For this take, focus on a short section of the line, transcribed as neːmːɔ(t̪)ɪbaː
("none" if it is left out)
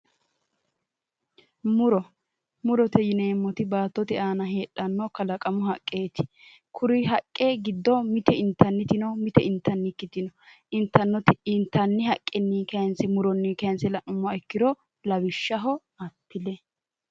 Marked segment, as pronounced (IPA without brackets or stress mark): t̪